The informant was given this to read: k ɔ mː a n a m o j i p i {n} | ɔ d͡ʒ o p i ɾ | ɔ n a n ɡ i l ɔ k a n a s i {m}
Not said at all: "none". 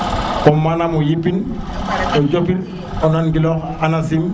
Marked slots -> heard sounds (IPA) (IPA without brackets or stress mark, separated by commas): n, m